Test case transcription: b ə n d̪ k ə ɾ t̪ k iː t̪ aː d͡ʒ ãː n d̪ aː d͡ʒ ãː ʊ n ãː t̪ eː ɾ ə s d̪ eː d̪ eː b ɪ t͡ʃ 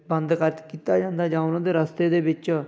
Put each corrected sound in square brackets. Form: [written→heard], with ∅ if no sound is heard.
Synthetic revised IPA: b ə n d̪ k ə ɾ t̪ k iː t̪ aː d͡ʒ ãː n d̪ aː d͡ʒ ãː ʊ n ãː [t̪→d̪] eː ɾ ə s [d̪→t̪] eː d̪ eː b ɪ t͡ʃ